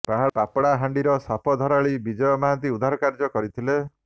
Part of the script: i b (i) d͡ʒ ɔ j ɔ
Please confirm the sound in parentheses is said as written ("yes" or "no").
yes